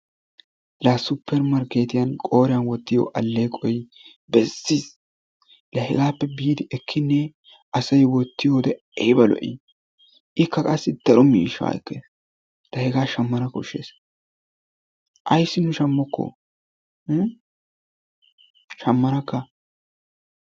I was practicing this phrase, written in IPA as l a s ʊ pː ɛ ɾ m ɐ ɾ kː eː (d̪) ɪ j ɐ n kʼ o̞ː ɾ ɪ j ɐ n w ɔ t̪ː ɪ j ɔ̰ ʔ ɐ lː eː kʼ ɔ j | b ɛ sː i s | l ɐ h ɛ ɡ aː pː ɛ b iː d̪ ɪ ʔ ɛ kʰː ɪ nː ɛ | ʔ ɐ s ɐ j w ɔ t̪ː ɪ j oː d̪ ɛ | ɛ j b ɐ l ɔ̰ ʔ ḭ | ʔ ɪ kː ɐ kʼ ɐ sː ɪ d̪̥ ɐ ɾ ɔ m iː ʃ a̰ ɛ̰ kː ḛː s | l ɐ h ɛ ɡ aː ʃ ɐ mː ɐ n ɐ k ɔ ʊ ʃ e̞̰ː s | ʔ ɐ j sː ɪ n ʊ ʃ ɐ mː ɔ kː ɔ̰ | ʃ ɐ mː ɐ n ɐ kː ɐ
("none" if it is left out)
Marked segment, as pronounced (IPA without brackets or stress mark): t̪